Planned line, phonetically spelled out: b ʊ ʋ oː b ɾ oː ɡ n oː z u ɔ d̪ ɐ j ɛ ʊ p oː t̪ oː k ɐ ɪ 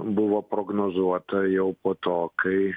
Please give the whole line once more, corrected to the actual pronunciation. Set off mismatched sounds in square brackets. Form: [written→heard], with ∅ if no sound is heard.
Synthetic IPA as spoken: b ʊ ʋ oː [b→p] ɾ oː ɡ n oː z u ɔ [d̪→t̪] ɐ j ɛ ʊ p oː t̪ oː k ɐ ɪ